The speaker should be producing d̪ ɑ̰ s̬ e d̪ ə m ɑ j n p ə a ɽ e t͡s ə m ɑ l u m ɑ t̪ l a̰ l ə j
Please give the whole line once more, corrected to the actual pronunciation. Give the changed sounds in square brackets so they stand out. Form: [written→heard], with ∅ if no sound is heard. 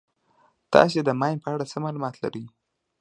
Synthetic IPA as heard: [d̪→t̪] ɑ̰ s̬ e d̪ ə m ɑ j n p ə a ɽ [e→a] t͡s ə m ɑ l u m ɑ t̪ l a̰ [l→ɾ] ə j